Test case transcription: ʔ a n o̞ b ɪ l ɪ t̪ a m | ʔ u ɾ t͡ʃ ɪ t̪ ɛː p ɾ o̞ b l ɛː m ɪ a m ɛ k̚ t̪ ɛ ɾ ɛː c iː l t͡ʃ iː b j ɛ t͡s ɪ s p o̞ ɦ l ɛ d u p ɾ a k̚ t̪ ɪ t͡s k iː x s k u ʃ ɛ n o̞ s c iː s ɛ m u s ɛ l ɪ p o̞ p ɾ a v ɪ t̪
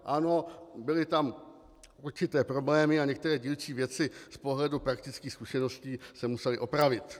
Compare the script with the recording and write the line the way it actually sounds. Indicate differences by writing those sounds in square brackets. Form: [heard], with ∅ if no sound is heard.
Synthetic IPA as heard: ʔ a n o̞ b ɪ l ɪ t̪ a m | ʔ u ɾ t͡ʃ ɪ t̪ ɛː p ɾ o̞ b l ɛː m ɪ a [ɲ] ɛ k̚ t̪ ɛ ɾ ɛː [ɟ] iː l t͡ʃ iː [v] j ɛ t͡s ɪ s p o̞ ɦ l ɛ d u p ɾ a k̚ t̪ ɪ t͡s k iː x s k u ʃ ɛ n o̞ s c iː s ɛ m u s ɛ l ɪ [ʔ] o̞ p ɾ a v ɪ t̪

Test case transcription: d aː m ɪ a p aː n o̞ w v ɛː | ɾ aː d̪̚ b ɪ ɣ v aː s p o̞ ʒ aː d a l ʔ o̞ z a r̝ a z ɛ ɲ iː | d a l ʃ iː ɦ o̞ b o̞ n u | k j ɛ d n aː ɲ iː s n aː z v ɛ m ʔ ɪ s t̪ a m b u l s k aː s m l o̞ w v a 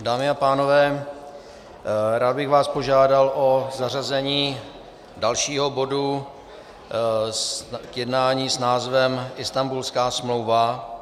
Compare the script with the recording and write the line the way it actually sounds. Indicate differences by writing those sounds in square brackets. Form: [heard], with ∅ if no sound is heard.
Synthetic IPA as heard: d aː m ɪ a p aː n o̞ [∅] v ɛː | ɾ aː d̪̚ b ɪ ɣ v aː s p o̞ ʒ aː d a l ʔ o̞ z a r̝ a z ɛ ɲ iː | d a l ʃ iː ɦ o̞ b o̞ [d] u | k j ɛ d n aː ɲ iː s n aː z v ɛ m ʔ ɪ s t̪ a m b u l s k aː s m l o̞ w v a

